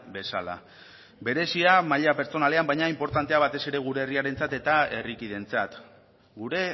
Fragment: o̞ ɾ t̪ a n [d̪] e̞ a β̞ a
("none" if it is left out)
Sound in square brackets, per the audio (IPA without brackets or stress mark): t̪